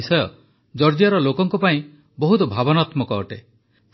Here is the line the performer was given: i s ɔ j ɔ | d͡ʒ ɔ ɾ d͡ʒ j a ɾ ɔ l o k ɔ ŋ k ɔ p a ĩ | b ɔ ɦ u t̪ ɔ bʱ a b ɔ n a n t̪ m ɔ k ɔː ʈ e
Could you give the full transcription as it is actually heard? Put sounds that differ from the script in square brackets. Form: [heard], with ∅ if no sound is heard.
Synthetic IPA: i s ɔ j ɔ | d͡ʒ ɔ ɾ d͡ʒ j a ɾ ɔ l o k ɔ ŋ k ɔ p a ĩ | b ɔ ɦ u t̪ ɔ bʱ a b ɔ n a [∅] t̪ m ɔ k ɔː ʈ e